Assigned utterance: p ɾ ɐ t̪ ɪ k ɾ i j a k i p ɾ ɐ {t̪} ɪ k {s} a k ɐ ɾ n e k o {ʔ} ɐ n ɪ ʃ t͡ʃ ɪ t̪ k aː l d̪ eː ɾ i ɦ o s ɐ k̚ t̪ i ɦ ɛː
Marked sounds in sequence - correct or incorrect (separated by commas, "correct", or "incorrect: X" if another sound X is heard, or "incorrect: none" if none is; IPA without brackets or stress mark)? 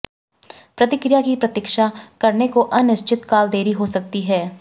correct, incorrect: ʃ, correct